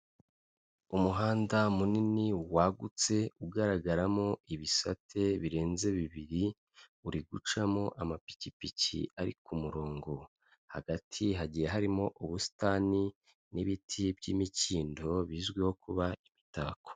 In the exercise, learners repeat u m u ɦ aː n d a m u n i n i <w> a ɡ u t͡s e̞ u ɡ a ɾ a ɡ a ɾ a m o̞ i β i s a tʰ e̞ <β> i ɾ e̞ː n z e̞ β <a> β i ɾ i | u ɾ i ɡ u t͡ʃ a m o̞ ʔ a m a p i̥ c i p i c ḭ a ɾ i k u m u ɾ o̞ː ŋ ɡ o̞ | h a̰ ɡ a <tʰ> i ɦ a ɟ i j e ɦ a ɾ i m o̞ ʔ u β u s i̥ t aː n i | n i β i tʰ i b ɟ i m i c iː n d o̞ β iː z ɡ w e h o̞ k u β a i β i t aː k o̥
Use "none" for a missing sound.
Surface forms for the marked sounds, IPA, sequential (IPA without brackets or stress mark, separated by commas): w, β, i, tʰ